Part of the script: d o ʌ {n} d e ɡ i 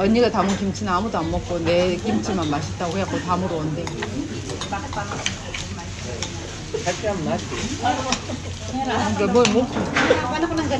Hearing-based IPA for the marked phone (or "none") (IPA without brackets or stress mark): n